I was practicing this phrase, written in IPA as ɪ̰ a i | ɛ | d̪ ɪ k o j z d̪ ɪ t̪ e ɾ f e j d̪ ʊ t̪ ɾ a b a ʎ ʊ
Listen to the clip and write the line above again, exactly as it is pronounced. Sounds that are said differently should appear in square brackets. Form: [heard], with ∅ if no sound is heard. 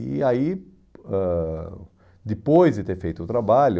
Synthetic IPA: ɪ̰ a i | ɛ | d̪ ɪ [p] o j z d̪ ɪ t̪ e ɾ f e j [t̪] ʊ t̪ ɾ a b a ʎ ʊ